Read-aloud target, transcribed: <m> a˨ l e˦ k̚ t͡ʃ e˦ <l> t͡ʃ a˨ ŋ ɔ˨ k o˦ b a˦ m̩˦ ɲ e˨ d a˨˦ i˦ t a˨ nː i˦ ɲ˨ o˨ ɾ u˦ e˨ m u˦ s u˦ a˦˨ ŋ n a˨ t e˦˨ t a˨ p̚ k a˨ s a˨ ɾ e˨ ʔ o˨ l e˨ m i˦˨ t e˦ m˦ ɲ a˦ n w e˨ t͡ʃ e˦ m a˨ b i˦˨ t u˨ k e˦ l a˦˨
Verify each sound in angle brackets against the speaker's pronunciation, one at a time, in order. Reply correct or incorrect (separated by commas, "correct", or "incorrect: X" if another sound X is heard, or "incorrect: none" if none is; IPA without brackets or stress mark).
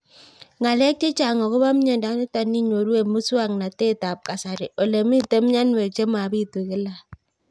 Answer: incorrect: ŋ, incorrect: none